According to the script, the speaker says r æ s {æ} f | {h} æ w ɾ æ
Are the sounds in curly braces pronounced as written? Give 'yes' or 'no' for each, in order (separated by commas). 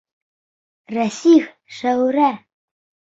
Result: no, no